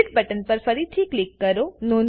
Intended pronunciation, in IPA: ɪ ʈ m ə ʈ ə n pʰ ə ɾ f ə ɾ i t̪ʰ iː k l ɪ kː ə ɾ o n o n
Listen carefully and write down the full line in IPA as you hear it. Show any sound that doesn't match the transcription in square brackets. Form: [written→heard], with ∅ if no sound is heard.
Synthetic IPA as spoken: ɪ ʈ [m→b] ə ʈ ə n [pʰ→p] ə ɾ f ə ɾ i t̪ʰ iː k l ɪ kː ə ɾ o n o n